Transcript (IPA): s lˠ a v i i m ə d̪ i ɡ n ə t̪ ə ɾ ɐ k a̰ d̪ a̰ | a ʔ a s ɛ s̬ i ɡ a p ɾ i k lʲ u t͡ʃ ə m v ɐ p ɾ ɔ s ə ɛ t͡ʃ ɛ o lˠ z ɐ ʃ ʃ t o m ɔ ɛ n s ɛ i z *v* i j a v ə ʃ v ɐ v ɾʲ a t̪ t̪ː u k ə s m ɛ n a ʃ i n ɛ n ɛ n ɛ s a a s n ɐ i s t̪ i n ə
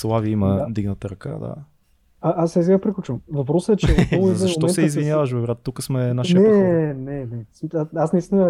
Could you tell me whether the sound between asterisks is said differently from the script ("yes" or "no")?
no